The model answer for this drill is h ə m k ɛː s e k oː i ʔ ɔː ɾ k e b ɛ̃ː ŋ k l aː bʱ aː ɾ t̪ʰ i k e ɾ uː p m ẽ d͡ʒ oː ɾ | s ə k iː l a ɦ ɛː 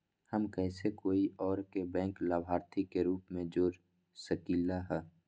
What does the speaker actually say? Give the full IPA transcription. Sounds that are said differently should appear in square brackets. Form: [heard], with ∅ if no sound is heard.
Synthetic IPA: h ə m k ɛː s e k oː i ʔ ɔː ɾ k e b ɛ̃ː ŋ k l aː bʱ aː ɾ t̪ʰ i k e ɾ uː p m ẽ d͡ʒ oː ɾ | s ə k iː l a ɦ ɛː